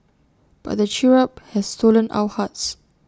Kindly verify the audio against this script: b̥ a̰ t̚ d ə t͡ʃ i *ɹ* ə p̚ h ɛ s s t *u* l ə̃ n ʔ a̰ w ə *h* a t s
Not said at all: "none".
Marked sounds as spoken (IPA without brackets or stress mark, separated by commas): ɹ, o, h